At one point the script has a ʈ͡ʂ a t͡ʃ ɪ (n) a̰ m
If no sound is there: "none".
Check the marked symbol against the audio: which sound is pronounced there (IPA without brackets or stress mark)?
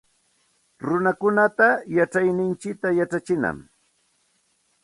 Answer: n